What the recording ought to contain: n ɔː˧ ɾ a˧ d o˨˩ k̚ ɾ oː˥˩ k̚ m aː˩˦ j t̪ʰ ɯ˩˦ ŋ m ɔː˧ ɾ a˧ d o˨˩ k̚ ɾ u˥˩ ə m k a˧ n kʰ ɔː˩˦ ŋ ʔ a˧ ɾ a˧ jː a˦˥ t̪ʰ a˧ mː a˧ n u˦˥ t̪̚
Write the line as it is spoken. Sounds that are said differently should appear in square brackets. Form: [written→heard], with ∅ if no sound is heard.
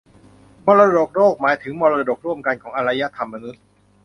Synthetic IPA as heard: [n→m] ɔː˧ ɾ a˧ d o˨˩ k̚ ɾ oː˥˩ k̚ m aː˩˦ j t̪ʰ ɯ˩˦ ŋ m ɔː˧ ɾ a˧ d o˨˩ k̚ ɾ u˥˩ ə m k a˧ n kʰ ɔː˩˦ ŋ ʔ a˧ ɾ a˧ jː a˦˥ t̪ʰ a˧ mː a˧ n u˦˥ t̪̚